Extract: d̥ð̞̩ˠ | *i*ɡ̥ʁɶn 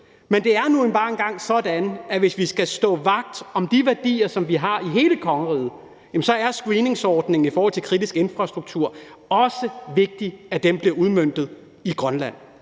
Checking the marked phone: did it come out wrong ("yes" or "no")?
no